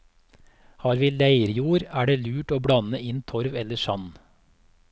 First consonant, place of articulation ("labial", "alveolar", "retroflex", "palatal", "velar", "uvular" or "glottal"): glottal